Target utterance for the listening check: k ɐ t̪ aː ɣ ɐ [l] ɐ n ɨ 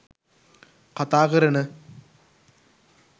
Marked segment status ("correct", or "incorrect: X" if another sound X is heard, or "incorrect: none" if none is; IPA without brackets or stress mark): incorrect: ɾ